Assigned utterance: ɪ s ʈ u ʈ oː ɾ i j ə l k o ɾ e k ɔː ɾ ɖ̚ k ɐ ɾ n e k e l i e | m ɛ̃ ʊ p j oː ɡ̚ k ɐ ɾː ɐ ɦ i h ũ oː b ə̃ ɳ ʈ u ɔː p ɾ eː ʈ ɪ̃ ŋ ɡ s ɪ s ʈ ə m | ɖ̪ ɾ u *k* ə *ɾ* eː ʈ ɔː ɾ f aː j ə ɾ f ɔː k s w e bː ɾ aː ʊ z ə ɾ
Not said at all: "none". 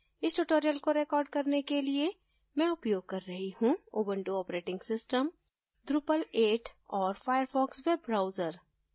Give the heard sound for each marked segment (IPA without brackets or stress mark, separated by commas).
p, l